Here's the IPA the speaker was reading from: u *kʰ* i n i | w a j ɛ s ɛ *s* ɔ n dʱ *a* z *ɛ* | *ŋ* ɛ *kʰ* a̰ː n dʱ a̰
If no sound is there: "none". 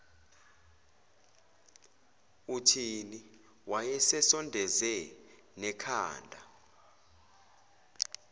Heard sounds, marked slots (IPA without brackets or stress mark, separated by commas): tʰ, s, ɛ, ɛ, n, kʰ